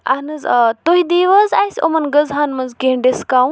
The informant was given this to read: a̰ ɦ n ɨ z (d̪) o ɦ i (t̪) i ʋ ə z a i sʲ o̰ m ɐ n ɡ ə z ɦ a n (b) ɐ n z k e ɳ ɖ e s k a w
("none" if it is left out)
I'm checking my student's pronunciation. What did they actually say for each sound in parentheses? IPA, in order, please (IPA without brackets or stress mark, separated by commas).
t̪, d̪, m